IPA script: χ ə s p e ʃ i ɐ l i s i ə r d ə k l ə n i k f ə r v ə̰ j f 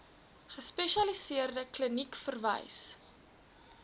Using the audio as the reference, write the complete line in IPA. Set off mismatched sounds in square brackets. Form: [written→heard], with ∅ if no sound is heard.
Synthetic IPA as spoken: χ ə s p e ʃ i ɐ l i s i ə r d ə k l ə n i k f ə r v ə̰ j [f→s]